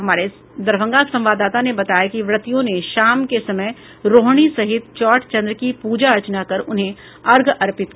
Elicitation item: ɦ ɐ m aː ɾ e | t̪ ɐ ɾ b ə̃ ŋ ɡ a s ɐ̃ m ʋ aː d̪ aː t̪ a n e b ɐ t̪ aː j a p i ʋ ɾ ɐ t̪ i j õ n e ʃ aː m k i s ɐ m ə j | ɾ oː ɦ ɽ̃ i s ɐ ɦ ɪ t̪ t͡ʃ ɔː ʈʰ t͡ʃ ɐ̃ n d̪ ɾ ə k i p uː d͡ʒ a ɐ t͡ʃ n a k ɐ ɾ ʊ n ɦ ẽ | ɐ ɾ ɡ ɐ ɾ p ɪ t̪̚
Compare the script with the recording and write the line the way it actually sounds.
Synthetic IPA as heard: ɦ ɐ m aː ɾ e | d̪ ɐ ɾ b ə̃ ŋ ɡ a s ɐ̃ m ʋ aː d̪ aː t̪ a n e b ɐ t̪ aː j a k i ʋ ɾ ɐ t̪ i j õ n e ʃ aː m k e s ɐ m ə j | ɾ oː ɦ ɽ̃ i s ɐ ɦ ɪ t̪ t͡ʃ ɔː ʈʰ t͡ʃ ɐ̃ n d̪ ɾ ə k i p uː d͡ʒ a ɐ t͡ʃ n a k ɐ ɾ ʊ n ɦ ẽ | ɐ ɾ ɡ ɐ ɾ p ɪ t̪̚